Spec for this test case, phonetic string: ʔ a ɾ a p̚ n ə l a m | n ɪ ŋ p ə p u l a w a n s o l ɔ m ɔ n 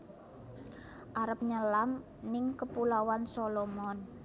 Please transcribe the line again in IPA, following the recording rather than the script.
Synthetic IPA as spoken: ʔ a ɾ ə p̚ ɲ ə l a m | n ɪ ŋ k ə p u l a w a n s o l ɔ m ɔ n